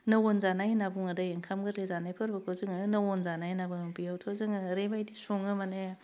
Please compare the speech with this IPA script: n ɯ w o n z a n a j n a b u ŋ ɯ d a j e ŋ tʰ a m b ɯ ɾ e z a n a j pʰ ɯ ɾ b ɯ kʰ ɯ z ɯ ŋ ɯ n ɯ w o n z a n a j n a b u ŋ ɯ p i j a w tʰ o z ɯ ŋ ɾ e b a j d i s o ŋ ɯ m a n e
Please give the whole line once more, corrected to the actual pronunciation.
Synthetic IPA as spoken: n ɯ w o n z a n a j n a b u ŋ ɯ d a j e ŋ kʰ a m ɡ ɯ ɾ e z a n a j pʰ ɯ ɾ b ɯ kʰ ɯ z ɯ ŋ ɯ n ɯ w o n z a n a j n a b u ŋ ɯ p i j a w tʰ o z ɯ ŋ ɾ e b a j d i s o ŋ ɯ m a n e